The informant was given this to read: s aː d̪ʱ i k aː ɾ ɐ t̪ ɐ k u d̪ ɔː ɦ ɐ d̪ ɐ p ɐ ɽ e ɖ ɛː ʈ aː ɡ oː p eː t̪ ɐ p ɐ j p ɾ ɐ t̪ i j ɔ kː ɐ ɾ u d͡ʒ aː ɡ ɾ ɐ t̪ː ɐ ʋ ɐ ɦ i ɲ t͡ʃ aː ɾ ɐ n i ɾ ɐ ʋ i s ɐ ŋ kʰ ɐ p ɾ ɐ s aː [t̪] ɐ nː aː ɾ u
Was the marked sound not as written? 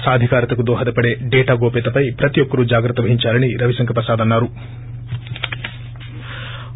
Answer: yes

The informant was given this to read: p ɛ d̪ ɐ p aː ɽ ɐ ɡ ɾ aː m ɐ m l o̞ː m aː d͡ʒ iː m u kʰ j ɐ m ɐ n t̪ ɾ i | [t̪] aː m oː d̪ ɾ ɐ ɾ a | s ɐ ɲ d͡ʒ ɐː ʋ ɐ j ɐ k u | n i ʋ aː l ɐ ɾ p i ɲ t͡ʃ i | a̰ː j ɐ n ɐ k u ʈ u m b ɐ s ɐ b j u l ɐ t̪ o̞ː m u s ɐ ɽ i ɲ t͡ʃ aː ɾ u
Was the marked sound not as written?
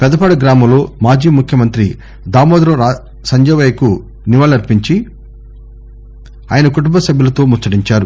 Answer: yes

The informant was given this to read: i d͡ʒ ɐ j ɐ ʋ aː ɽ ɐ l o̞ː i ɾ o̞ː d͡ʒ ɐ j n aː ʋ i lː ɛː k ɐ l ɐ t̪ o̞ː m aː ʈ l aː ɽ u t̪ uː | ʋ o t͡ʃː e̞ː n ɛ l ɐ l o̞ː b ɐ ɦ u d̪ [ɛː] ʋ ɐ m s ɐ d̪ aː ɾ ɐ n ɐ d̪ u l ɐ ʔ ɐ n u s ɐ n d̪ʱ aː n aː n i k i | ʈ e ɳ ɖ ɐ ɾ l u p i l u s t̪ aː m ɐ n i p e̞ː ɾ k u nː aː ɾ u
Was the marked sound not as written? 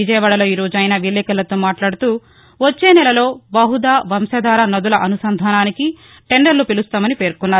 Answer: yes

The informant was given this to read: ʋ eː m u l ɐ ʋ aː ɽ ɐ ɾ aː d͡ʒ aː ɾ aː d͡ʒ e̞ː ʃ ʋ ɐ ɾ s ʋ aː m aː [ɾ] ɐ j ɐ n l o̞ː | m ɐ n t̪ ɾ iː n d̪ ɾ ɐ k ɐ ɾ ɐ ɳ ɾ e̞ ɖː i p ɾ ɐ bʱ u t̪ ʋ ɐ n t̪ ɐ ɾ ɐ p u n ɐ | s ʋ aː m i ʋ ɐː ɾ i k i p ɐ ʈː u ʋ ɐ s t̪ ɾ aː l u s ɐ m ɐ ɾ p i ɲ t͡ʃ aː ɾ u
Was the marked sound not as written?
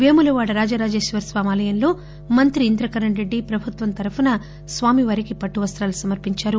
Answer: yes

